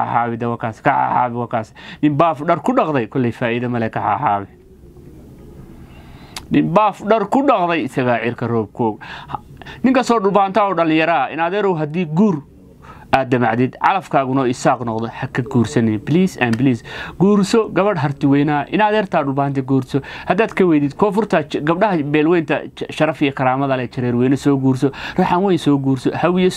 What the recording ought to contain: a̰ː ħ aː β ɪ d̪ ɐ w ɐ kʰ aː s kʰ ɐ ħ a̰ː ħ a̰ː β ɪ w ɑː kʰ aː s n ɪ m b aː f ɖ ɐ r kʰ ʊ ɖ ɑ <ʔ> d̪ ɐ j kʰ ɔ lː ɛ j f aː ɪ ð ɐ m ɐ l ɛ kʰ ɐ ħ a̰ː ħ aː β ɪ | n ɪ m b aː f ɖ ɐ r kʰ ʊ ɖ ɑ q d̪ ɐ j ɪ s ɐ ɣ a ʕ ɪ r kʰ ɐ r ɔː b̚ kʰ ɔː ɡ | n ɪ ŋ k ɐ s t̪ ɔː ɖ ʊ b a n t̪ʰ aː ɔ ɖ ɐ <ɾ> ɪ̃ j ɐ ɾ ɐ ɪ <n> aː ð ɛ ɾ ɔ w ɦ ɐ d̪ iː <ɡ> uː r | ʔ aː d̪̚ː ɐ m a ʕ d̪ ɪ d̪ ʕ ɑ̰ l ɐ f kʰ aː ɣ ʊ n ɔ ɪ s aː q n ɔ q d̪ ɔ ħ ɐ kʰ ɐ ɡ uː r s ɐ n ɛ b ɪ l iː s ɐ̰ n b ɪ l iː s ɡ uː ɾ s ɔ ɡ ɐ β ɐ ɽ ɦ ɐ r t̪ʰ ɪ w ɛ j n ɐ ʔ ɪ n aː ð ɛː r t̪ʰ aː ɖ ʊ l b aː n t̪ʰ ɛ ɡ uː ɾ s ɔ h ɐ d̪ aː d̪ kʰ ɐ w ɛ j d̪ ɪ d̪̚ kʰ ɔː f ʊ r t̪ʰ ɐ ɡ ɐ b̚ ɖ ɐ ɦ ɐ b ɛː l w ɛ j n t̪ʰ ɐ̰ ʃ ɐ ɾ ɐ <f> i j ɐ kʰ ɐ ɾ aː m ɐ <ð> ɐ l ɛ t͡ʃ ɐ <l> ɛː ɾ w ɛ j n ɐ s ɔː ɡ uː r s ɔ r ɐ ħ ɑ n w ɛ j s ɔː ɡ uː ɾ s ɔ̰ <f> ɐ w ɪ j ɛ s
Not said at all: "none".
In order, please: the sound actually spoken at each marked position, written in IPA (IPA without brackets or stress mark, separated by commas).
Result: q, l, n, ɡ, f, ð, ɾ, h